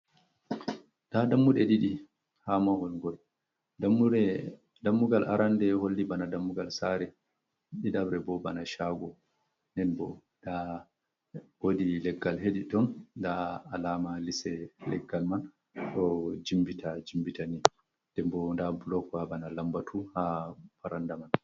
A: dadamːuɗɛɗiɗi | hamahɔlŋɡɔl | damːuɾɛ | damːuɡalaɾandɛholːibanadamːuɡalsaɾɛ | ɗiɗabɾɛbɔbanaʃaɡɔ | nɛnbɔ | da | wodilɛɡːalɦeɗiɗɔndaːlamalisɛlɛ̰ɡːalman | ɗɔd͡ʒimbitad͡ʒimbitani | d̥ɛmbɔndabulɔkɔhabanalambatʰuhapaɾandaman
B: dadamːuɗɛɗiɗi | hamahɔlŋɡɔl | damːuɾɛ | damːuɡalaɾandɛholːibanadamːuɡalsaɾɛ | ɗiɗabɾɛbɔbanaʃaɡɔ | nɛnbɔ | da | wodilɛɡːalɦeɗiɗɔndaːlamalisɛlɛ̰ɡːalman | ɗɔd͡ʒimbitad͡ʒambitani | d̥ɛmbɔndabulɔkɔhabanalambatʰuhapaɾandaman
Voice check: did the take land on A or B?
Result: A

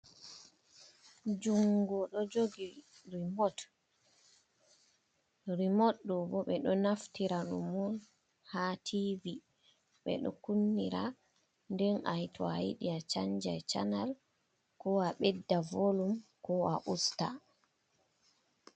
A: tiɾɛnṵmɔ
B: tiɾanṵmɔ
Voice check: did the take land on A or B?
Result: B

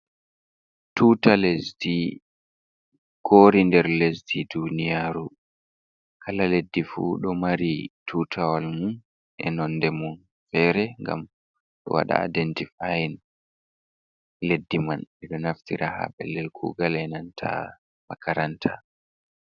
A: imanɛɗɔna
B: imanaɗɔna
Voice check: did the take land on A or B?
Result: A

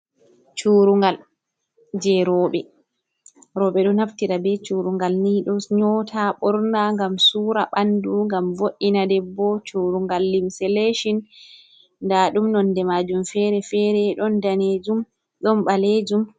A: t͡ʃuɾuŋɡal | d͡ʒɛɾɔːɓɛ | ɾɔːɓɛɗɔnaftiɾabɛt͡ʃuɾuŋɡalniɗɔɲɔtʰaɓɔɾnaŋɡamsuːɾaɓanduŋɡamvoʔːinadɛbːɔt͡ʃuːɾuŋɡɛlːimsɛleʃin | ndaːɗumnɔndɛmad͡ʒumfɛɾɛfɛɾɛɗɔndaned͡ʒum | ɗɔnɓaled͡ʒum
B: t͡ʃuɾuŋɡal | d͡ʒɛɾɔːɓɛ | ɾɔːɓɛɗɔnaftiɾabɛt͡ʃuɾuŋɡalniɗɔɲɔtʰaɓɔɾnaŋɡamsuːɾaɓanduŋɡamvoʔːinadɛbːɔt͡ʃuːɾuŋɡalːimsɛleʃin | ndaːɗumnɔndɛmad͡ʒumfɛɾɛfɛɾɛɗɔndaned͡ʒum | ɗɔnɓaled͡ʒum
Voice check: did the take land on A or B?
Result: B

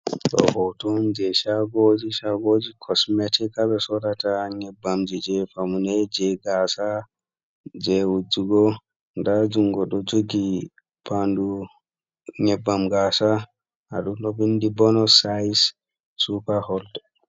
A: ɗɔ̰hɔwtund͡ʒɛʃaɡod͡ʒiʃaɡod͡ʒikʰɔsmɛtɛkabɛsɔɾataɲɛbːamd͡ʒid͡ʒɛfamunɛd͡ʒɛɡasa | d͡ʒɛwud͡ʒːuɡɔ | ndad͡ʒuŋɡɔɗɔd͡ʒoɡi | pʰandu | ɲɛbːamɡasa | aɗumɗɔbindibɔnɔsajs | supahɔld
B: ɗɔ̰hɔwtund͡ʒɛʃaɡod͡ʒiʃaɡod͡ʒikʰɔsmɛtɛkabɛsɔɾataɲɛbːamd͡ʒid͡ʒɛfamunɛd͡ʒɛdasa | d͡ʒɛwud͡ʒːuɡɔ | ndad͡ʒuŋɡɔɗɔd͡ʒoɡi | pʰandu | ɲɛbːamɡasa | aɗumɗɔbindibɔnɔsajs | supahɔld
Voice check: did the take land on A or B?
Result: A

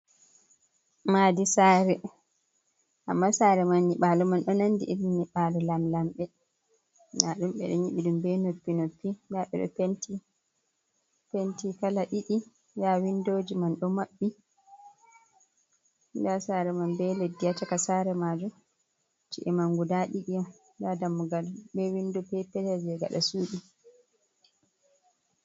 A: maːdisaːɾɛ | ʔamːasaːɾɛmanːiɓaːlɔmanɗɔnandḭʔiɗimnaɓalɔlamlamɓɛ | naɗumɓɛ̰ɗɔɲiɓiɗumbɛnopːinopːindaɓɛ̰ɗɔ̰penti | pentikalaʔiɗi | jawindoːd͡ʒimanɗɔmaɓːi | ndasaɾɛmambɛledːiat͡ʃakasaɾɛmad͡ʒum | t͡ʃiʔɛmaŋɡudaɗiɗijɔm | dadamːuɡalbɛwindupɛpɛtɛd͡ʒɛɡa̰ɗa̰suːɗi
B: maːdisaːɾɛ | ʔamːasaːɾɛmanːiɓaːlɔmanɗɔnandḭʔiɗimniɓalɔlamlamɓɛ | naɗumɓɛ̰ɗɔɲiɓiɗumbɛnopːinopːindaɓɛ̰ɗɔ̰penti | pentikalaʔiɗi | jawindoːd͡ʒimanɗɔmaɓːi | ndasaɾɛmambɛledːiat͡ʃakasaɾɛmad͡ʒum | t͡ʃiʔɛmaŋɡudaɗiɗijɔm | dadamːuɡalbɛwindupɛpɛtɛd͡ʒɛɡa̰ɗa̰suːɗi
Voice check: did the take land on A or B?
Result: B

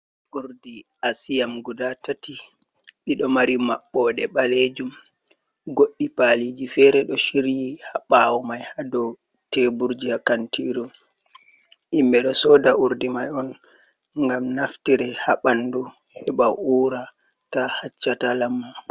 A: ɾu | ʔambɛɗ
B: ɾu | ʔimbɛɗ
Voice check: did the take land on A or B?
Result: B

